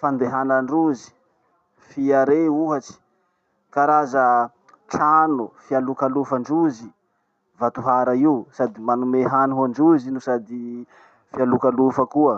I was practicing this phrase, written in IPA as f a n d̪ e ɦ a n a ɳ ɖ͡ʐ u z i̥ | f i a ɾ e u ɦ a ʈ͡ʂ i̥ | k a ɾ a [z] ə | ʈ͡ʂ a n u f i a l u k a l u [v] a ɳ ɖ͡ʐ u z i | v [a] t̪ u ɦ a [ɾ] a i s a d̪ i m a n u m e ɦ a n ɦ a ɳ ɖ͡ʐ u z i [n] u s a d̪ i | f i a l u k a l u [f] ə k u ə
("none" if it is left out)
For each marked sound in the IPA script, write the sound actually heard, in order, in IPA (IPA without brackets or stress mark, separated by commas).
z, f, a, ɾ, n, f